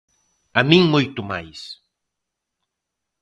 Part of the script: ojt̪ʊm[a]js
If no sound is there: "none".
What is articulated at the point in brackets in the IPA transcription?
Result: a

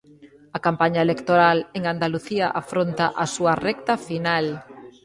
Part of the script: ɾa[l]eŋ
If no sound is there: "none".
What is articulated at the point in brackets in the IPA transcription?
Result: l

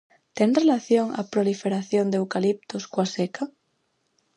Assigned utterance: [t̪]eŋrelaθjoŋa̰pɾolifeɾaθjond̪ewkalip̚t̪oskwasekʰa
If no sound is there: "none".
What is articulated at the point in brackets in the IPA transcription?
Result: t̪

